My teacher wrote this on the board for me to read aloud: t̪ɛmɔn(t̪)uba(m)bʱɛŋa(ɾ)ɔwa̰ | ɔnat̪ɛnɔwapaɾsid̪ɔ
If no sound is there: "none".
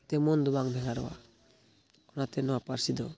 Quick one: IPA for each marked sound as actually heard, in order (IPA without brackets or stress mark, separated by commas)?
d̪, ŋ, ɾ